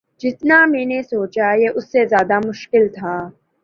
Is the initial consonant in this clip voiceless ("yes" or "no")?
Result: no